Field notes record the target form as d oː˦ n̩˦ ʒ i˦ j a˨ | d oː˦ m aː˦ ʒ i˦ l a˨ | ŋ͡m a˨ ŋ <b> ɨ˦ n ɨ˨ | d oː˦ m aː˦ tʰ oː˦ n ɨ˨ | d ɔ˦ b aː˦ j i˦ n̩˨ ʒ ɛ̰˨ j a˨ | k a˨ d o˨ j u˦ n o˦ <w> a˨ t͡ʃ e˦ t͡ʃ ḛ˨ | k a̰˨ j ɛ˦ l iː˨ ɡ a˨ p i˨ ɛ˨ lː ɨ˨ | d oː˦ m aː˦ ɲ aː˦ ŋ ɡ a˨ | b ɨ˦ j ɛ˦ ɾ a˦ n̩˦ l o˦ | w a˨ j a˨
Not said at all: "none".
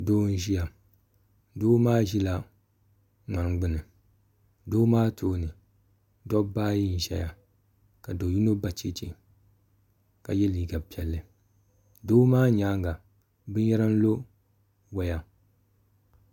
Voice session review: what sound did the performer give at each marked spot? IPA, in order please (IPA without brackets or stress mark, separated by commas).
ɡ͡b, b